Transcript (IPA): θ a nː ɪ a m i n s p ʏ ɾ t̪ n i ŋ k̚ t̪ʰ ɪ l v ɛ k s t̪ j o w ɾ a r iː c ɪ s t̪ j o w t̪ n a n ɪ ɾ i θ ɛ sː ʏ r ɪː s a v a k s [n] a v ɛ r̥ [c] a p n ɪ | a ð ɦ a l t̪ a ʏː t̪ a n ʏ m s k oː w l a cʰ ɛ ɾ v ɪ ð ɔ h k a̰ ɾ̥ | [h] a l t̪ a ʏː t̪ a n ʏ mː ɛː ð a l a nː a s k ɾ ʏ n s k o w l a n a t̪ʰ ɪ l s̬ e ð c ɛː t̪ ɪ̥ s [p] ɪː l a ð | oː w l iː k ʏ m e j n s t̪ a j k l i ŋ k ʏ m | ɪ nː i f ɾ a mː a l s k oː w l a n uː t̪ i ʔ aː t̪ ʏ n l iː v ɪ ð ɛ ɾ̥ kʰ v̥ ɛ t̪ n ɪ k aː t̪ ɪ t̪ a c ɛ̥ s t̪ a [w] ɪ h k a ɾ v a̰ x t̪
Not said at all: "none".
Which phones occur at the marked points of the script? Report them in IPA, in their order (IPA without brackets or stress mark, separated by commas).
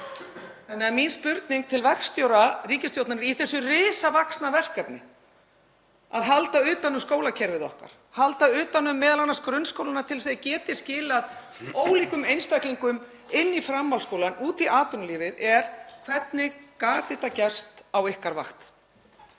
n, k, h, c, w